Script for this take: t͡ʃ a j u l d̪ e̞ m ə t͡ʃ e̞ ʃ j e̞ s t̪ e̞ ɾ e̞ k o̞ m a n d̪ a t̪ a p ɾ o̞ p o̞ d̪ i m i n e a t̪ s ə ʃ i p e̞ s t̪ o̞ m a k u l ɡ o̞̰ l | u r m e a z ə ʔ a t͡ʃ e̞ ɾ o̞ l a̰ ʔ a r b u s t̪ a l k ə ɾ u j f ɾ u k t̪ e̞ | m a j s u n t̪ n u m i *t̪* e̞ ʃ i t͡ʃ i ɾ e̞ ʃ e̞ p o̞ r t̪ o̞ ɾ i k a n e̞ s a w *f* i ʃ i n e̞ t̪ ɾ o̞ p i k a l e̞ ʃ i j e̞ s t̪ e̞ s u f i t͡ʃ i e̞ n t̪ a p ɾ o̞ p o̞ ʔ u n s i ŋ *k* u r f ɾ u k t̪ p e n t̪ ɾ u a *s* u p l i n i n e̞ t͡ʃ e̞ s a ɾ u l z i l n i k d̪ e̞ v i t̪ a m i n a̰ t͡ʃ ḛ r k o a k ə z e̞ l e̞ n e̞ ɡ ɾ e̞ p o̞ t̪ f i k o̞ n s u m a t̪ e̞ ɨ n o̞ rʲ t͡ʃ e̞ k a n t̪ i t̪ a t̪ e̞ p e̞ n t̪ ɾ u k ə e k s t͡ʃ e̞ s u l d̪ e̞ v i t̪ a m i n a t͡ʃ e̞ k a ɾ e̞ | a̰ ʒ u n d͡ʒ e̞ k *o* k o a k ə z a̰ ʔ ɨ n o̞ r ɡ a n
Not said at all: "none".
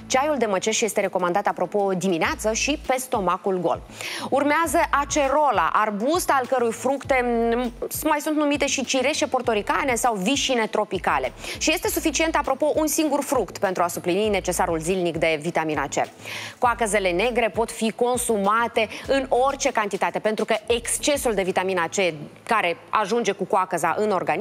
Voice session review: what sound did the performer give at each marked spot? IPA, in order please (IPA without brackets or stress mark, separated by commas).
t̪, v, ɡ, s, u